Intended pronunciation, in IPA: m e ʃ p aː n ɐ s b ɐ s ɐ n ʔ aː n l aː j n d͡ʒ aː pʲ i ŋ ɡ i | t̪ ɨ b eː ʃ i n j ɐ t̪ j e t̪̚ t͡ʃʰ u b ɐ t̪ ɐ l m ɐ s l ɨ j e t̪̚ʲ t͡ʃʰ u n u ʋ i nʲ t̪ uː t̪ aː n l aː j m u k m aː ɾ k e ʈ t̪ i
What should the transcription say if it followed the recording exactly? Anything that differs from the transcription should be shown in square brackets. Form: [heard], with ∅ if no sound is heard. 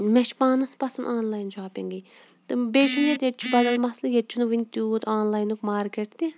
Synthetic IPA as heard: m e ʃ p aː n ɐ s [p] ɐ s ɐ n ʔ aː n l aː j n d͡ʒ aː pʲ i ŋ ɡ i | t̪ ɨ b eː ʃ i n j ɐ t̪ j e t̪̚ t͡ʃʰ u b ɐ [d̪] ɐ l m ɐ s l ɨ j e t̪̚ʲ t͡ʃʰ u n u ʋ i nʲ t̪ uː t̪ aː n l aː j [n] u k m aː ɾ k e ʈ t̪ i